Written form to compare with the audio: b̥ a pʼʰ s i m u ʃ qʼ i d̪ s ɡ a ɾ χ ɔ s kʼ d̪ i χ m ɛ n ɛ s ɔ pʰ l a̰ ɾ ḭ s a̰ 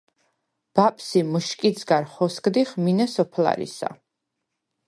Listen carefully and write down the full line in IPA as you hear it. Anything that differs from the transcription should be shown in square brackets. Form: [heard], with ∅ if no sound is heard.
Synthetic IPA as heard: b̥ a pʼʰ s i m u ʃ [kʼ] i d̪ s ɡ a ɾ χ ɔ s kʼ d̪ i χ m [i] n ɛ s ɔ pʰ l a̰ ɾ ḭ s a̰